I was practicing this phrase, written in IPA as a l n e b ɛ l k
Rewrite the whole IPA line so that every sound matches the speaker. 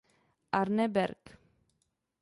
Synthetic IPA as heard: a ɾ n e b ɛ ɾ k